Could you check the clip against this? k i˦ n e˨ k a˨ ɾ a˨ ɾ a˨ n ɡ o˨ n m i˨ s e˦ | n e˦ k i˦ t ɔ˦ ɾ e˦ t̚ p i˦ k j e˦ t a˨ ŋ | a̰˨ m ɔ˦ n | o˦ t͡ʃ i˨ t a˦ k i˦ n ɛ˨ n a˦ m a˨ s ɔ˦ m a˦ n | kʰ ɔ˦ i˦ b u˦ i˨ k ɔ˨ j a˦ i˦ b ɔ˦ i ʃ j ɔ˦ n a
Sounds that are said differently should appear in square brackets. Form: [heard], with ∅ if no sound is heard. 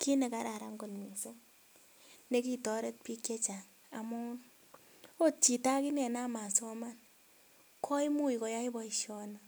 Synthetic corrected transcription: k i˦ n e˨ k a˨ ɾ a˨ ɾ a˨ [ŋ] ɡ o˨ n m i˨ s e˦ | n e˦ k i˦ t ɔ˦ ɾ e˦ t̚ p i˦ k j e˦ [t͡ʃ] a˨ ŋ | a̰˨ m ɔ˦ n | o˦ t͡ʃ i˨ t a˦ k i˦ n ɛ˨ n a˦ m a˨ s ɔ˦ m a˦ n | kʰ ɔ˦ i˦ [m] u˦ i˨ k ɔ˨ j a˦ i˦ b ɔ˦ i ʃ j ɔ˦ n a